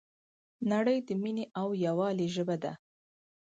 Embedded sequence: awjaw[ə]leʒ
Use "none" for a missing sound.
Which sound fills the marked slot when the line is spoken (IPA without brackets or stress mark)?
ɑ